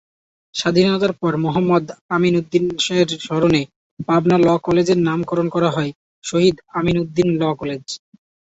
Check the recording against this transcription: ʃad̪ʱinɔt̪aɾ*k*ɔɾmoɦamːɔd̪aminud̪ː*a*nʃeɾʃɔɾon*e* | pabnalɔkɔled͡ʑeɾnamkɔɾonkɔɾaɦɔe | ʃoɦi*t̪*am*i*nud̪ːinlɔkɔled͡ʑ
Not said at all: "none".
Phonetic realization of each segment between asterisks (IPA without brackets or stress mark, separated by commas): p, i, e, d̪, i